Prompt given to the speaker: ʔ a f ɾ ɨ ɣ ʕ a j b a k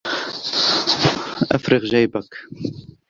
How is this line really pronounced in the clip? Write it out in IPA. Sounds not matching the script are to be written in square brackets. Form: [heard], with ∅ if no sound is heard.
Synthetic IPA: ʔ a f ɾ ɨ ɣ [ʒ] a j b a k